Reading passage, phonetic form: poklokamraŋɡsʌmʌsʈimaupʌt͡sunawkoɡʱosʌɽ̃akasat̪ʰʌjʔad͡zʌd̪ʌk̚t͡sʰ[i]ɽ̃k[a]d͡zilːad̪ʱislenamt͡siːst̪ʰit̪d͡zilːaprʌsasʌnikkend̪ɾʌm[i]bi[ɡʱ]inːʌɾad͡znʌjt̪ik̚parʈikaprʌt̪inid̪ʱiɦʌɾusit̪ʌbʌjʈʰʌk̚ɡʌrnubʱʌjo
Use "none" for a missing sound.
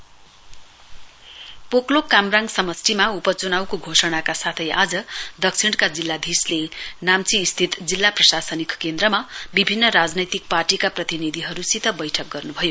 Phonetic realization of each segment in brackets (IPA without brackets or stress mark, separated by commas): i, a, a, bʱ